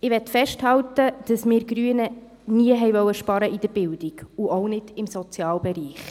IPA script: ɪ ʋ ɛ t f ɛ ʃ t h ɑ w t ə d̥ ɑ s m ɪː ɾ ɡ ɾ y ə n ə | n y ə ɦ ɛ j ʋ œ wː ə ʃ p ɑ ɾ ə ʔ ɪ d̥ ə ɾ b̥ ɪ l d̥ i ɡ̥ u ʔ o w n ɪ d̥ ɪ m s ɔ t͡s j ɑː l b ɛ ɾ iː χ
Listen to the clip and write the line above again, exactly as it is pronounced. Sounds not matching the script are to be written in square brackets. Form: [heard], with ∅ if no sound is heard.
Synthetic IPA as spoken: ɪ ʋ ɛ t f ɛ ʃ t h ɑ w t ə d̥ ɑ s m ɪː ɾ ɡ ɾ y ə n ə | n [i] ə ɦ ɛ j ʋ œ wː ə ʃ p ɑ ɾ ə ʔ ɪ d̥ ə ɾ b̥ ɪ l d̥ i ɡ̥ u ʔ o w n ɪ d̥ ɪ m s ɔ t͡s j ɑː l b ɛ ɾ iː χ